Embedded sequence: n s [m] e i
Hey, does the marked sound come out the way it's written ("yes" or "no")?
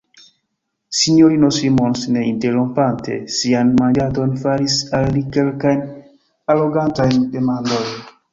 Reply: no